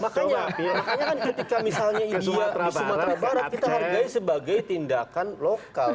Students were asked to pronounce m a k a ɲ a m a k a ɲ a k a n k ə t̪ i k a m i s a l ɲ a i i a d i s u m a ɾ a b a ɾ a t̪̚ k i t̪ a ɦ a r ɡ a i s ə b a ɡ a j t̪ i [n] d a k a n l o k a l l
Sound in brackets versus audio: correct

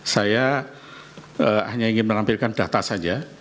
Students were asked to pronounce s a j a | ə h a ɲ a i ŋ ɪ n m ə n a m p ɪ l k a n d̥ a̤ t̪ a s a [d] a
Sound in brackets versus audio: incorrect: d͡ʒ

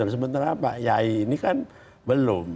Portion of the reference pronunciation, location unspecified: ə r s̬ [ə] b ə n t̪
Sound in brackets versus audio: correct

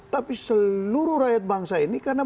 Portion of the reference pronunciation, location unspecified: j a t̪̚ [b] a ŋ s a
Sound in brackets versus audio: correct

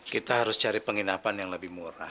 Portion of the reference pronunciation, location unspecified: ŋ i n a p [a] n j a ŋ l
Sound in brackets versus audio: correct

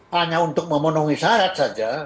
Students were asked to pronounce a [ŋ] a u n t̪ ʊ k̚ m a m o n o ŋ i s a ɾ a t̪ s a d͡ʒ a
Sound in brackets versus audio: incorrect: ɲ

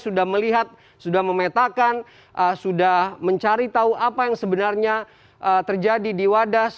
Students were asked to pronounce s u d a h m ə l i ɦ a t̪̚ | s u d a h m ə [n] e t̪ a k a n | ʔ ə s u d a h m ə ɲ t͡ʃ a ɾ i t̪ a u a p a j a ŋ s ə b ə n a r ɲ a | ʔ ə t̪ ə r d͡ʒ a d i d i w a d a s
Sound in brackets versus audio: incorrect: m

